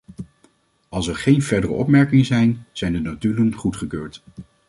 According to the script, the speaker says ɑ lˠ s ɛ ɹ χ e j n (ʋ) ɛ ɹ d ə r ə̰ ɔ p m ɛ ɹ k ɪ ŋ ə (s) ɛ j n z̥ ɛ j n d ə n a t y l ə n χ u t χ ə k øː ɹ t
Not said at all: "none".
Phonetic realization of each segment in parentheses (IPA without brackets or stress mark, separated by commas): v, z